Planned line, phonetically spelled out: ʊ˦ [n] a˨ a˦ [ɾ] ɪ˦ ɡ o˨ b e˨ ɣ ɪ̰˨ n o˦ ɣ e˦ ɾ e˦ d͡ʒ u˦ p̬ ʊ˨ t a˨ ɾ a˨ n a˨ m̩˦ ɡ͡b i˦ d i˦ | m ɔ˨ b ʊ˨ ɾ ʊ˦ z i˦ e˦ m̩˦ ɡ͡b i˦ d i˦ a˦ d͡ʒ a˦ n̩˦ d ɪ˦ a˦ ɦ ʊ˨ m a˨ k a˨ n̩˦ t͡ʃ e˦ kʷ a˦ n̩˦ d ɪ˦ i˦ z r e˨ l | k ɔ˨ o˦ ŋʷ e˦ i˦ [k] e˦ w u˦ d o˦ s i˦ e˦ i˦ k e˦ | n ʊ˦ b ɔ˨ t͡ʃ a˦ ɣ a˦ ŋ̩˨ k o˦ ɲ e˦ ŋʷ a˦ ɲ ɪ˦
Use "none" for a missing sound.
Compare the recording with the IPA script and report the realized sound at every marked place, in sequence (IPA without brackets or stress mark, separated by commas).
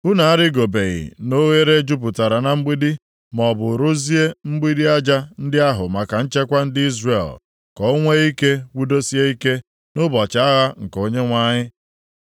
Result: n, ɾ, k